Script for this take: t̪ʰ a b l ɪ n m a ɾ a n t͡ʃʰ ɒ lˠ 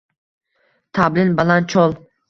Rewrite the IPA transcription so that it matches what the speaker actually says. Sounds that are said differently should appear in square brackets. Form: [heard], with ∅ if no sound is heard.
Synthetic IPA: t̪ʰ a b l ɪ n [b] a [l] a n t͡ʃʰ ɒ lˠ